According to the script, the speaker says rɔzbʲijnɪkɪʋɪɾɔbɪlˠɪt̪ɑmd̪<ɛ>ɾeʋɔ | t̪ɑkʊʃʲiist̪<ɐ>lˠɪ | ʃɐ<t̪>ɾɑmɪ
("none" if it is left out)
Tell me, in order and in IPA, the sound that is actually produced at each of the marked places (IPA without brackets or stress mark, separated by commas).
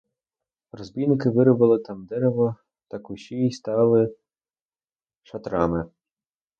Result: ɛ, ɑ, t̪